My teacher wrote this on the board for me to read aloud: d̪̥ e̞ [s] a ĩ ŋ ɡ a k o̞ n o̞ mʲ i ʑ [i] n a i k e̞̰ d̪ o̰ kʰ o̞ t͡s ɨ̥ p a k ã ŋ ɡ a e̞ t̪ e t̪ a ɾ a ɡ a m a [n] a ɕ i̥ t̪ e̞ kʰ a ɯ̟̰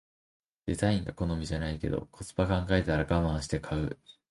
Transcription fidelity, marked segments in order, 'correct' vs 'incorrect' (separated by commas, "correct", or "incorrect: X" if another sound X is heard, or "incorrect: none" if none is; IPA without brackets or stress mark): incorrect: z, incorrect: a, incorrect: none